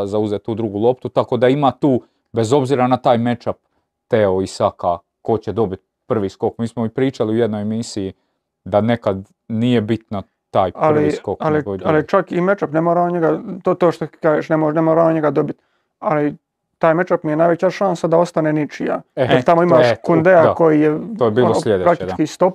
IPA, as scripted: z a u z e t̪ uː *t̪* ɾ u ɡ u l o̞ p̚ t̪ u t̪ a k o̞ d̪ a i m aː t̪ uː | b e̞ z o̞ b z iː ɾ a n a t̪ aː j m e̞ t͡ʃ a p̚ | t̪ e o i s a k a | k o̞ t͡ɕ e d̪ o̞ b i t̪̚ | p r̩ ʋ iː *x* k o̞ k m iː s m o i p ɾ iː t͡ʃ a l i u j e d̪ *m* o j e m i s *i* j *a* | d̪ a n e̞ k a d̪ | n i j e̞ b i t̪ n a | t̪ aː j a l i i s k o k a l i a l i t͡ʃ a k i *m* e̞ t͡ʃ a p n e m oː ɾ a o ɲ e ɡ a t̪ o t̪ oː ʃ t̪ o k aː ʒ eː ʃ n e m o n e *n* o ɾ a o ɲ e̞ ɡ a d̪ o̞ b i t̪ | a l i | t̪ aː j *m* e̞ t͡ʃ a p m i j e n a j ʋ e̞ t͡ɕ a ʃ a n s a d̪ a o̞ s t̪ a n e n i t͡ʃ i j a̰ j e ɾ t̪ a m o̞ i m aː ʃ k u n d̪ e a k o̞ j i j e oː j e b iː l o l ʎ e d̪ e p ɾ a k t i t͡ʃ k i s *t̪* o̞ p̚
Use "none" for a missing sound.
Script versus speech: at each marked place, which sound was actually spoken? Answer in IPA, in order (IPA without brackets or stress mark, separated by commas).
d̪, s, n, i, i, m, m, m, t̪